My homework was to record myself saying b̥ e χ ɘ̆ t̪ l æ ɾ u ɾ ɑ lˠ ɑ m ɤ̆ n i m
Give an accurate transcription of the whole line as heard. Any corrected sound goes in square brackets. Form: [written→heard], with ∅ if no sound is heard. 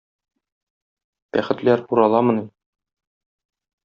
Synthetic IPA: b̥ [e→æ] χ ɘ̆ t̪ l æ ɾ u ɾ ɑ lˠ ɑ m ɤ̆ n i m